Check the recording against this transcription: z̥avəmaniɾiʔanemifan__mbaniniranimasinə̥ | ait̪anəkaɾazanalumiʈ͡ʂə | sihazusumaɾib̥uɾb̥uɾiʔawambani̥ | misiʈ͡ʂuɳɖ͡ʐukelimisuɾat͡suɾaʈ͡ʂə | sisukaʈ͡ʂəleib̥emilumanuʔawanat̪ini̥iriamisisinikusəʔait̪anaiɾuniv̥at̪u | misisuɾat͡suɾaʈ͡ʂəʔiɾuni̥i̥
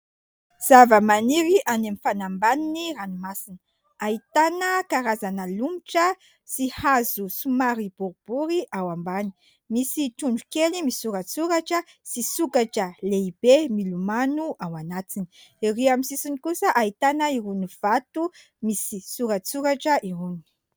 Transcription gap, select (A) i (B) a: B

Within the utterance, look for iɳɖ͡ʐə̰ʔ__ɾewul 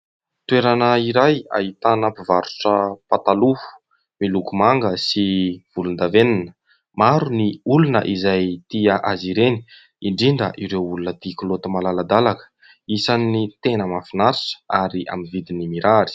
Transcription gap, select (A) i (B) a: A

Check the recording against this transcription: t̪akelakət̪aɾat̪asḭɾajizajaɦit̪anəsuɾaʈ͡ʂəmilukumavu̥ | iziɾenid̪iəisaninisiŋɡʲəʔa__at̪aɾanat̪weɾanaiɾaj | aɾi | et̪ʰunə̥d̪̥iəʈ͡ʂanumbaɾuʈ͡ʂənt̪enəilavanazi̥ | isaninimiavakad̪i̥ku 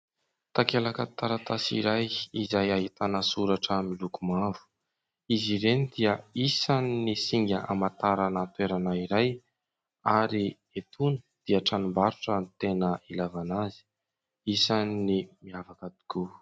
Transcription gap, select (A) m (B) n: A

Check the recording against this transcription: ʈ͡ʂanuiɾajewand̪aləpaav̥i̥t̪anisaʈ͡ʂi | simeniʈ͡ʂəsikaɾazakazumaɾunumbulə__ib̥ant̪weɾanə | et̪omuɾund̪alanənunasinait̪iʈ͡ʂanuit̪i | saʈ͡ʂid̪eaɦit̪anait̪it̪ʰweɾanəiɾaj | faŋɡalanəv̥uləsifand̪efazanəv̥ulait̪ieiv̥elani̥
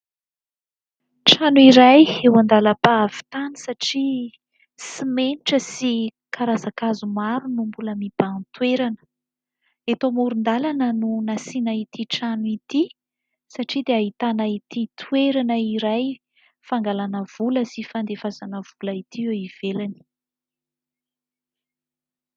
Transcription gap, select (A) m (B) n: A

